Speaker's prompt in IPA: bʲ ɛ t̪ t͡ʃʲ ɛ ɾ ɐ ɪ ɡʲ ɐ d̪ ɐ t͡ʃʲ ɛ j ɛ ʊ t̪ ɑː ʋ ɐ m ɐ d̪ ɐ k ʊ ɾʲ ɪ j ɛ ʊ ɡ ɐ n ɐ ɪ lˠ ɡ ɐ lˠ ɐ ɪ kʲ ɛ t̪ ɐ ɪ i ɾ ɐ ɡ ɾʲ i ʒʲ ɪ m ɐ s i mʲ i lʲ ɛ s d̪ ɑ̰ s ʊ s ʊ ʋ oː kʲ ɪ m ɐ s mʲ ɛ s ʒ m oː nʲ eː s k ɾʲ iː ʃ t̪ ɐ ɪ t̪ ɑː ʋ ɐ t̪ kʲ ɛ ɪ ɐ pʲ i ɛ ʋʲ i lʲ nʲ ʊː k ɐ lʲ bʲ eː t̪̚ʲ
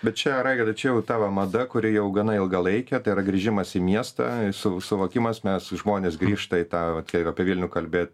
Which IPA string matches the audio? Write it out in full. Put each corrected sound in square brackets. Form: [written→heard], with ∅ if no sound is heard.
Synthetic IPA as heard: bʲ ɛ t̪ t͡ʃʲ ɛ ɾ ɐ ɪ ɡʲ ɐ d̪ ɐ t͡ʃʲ ɛ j ɛ ʊ t̪ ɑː ʋ ɐ m ɐ d̪ ɐ k ʊ ɾʲ ɪ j ɛ ʊ ɡ ɐ n ɐ ɪ lˠ ɡ ɐ lˠ ɐ ɪ kʲ ɛ t̪ ɐ ɪ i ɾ ɐ ɡ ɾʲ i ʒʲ ɪ m ɐ s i mʲ i [lʲ→∅] ɛ s [d̪→t̪] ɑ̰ s ʊ s ʊ ʋ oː kʲ ɪ m ɐ s mʲ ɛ s ʒ m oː nʲ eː s [k→ɡ] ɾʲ iː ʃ t̪ ɐ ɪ t̪ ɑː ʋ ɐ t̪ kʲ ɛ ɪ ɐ pʲ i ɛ ʋʲ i lʲ nʲ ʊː k ɐ lʲ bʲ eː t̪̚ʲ